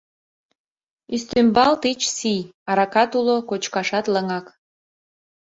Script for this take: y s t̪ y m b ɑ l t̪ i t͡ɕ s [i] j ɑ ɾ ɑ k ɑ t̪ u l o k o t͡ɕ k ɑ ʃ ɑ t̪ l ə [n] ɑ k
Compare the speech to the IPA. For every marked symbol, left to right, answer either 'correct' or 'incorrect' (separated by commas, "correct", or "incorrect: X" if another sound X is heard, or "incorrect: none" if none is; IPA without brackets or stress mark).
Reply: correct, incorrect: ŋ